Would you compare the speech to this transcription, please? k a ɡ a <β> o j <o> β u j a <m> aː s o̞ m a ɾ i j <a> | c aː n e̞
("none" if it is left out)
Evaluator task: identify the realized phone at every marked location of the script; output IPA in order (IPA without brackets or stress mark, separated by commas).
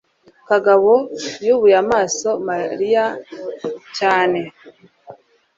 β, u, m, a